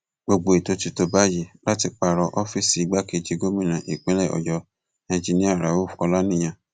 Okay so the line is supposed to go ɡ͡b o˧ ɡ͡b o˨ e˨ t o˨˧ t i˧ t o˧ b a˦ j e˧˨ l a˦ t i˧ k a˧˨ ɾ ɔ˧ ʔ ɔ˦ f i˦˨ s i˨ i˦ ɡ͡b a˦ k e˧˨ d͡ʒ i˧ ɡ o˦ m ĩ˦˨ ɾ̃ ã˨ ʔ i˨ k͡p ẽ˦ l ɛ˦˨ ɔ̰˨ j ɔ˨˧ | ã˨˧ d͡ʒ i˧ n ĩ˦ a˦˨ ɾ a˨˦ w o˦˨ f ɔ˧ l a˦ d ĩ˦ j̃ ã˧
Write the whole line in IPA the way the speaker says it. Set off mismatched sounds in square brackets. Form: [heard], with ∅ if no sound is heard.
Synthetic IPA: ɡ͡b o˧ ɡ͡b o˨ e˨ t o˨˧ t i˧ t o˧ b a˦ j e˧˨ l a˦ t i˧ [k͡p] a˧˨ ɾ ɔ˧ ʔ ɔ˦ f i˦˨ s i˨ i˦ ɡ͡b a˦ k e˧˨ d͡ʒ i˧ ɡ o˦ m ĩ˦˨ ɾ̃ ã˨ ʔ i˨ k͡p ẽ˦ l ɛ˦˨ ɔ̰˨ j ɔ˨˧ | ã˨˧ d͡ʒ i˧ n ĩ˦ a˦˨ ɾ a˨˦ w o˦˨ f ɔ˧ l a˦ [n] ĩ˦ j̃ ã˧